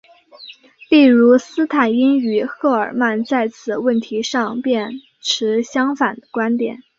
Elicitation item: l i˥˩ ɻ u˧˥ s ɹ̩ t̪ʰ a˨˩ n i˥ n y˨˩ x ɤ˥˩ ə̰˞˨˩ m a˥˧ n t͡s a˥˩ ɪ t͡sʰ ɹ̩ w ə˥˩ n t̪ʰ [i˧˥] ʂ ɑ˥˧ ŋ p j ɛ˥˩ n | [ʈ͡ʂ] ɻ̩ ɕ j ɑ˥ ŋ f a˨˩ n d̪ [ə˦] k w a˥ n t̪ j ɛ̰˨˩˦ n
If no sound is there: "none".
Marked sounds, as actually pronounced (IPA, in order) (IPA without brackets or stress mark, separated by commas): i˧˥, ʈ͡ʂʰ, ə˦